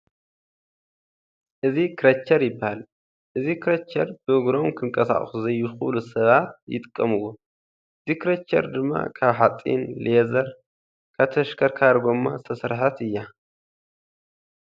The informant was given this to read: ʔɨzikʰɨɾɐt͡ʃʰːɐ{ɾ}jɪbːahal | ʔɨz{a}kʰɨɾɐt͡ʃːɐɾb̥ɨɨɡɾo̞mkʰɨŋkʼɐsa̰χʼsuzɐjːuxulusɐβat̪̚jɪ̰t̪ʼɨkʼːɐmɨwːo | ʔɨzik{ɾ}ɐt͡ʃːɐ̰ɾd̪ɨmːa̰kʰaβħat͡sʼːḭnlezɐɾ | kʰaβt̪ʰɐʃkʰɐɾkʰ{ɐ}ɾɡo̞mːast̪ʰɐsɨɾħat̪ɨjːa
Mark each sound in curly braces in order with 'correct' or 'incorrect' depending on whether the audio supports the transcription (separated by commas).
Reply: correct, incorrect, correct, incorrect